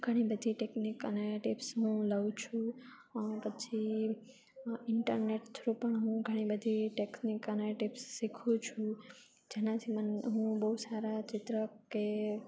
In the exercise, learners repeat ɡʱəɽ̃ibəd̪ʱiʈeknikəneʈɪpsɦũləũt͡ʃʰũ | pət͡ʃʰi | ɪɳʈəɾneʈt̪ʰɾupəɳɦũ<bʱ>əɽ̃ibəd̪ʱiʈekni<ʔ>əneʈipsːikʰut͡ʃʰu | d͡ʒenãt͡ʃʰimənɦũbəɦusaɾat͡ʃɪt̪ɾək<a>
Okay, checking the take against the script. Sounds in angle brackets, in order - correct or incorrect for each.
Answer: incorrect: ɡʱ, incorrect: k, incorrect: e

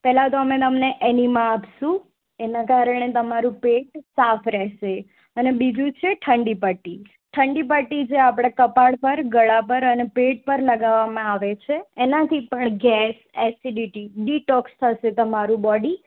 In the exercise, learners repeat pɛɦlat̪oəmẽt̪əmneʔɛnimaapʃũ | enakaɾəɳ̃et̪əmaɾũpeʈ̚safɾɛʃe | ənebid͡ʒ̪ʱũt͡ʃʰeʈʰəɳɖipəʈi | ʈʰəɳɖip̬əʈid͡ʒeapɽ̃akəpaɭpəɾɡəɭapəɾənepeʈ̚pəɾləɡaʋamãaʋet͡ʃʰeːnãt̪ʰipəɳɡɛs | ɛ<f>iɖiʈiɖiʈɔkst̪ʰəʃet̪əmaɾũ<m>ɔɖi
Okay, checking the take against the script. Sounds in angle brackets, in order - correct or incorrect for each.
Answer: incorrect: s, incorrect: b

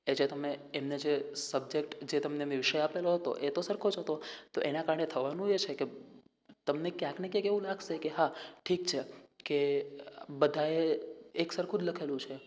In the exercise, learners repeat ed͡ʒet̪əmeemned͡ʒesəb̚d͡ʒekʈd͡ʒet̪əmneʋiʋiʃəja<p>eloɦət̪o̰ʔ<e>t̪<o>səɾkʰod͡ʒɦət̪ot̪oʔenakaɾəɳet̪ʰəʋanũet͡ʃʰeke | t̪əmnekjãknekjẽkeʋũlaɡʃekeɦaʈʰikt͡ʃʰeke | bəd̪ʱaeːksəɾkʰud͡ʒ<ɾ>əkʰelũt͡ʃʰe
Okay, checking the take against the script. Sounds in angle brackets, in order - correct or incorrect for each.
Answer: correct, correct, correct, incorrect: l

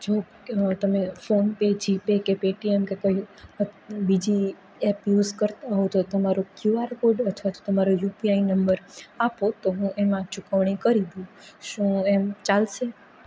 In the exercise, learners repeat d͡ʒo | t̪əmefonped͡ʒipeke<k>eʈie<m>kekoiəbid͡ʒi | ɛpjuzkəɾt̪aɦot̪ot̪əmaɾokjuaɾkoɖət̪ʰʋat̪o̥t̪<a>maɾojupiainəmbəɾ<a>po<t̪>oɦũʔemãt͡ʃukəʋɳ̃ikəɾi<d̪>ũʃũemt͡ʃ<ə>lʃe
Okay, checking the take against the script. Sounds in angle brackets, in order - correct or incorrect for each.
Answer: incorrect: p, correct, incorrect: ə, correct, correct, correct, incorrect: a

